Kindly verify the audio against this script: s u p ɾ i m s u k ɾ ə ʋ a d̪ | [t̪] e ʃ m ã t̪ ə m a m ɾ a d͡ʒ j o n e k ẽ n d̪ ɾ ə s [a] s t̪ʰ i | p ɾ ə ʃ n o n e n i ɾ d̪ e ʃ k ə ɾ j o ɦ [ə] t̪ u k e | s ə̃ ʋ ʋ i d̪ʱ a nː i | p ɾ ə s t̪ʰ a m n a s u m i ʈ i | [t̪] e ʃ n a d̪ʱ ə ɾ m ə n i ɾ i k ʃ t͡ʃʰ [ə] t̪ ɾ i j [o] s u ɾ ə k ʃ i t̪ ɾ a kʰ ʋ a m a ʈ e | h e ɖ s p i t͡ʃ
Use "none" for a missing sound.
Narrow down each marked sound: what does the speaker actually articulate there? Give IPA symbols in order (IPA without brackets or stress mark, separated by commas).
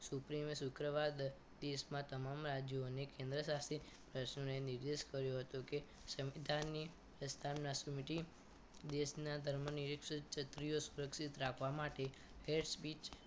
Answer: d̪, a, ə, d̪, ə, o